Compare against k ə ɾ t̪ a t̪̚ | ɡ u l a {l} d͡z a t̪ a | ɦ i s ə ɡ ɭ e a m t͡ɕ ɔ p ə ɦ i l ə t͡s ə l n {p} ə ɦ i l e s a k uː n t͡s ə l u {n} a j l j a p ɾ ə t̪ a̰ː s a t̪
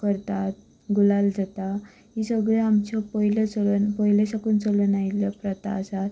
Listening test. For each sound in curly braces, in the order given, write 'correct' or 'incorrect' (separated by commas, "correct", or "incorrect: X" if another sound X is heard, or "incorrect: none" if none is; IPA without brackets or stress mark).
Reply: correct, correct, correct